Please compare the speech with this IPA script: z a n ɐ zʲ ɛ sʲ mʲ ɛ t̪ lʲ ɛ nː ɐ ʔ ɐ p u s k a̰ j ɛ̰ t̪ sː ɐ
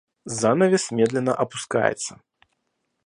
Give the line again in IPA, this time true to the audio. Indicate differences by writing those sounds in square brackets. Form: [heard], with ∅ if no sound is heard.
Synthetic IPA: z a n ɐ [vʲ] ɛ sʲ mʲ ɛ [d̪] lʲ ɛ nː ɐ ʔ ɐ p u s k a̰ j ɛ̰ t̪ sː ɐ

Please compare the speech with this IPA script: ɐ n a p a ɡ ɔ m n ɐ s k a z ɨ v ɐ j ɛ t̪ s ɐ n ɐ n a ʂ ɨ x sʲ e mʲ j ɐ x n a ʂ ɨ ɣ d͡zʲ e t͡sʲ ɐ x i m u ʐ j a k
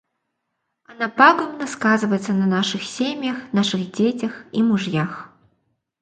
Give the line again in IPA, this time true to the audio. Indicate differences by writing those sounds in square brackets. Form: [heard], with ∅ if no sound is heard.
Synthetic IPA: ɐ n a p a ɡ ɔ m n ɐ s k a z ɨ v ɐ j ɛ t̪ s ɐ n ɐ n a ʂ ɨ x sʲ e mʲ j ɐ x n a ʂ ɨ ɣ d͡zʲ e t͡sʲ ɐ x i m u ʐ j a [x]

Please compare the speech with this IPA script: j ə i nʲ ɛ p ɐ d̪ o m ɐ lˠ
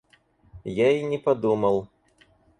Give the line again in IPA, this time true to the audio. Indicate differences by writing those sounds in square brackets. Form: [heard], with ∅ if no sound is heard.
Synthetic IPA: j [a] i nʲ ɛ p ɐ d̪ [u] m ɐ lˠ

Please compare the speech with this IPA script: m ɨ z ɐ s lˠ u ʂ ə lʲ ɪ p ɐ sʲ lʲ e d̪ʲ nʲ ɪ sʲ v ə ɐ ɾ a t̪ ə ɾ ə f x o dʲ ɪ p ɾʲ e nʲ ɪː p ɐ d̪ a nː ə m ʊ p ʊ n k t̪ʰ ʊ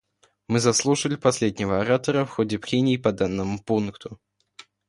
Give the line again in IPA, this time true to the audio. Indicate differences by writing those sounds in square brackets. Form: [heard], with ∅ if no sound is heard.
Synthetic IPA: m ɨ z ɐ s lˠ u ʂ ə lʲ ɪ p ɐ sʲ lʲ e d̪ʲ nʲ ɪ [∅] v ə ɐ ɾ a t̪ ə ɾ ə f x o dʲ ɪ p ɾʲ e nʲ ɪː p ɐ d̪ a nː ə m ʊ p [u] n k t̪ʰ ʊ

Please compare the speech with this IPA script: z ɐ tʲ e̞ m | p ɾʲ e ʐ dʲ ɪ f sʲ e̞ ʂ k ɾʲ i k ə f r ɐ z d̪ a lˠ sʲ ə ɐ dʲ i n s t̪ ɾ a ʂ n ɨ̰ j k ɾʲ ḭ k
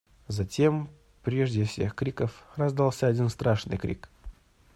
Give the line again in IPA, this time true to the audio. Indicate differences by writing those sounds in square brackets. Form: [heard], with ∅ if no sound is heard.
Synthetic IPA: z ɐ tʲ e̞ m | p ɾʲ e ʐ dʲ ɪ f sʲ e̞ [x] k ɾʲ i k ə f r ɐ z d̪ a lˠ sʲ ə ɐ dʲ i n s t̪ ɾ a ʂ n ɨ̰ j k ɾʲ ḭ k

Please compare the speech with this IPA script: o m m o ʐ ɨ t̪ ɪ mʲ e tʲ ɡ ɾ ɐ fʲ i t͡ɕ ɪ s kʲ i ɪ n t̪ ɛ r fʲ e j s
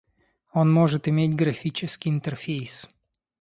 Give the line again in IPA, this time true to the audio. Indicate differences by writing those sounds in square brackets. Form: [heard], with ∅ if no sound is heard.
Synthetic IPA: o [n] m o ʐ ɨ t̪ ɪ mʲ e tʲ ɡ ɾ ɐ fʲ i t͡ɕ ɪ s kʲ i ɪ n t̪ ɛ r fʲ e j s

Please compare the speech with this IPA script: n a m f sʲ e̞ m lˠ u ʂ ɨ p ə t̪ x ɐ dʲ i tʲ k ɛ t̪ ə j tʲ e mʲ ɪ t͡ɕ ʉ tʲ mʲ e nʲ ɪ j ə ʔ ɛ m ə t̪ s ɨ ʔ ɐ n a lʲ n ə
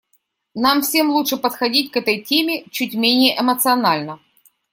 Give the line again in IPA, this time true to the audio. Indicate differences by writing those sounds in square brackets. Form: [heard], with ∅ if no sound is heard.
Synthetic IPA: n a m f sʲ e̞ m lˠ u ʂ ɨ p ə t̪ x ɐ dʲ i tʲ k ɛ t̪ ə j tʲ e mʲ ɪ t͡ɕ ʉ tʲ mʲ e nʲ ɪ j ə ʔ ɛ m ə t̪ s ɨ [∅] ɐ n a lʲ n ə

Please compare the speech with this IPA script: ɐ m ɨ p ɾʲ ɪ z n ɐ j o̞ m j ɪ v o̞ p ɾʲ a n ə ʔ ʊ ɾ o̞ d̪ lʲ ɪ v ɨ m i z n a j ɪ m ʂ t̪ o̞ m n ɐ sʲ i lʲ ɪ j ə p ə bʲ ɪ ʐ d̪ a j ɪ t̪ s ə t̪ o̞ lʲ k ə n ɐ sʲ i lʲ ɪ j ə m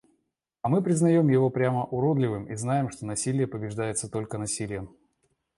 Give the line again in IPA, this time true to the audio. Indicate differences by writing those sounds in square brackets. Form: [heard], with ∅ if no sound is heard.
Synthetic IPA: ɐ m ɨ p ɾʲ ɪ z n ɐ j o̞ m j ɪ v o̞ p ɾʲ a [m] ə ʔ ʊ ɾ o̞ d̪ lʲ ɪ v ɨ m i z n a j ɪ m ʂ t̪ o̞ [∅] n ɐ sʲ i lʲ ɪ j ə p ə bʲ ɪ ʐ d̪ a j ɪ t̪ s ə t̪ o̞ lʲ k ə n ɐ sʲ i lʲ ɪ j ə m

